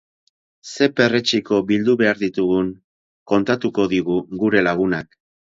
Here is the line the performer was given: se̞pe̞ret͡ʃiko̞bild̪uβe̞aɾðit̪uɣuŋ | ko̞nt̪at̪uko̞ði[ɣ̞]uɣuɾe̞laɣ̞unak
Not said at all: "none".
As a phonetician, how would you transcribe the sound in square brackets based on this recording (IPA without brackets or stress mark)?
ɣ̞